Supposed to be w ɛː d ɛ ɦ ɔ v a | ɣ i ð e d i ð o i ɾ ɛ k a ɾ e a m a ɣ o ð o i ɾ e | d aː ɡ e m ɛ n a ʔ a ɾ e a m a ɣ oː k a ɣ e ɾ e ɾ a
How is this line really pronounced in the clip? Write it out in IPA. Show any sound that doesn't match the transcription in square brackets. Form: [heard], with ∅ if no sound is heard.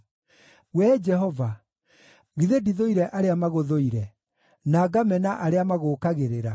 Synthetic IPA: w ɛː [d͡ʒ] ɛ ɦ ɔ v a | ɣ i ð e d i ð o i ɾ ɛ [ʔ] a ɾ e a m a ɣ o ð o i ɾ [ɛ] | [n] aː ɡ [a] m ɛ n a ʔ a ɾ e a m a ɣ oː k a ɣ e ɾ e ɾ a